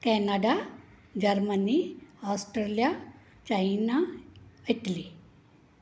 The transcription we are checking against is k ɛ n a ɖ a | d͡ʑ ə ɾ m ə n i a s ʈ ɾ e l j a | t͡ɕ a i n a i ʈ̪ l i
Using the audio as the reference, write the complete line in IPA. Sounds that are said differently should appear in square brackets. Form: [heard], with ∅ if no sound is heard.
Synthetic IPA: k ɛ n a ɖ a | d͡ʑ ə ɾ m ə n i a s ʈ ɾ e l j a | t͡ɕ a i n a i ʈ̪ l i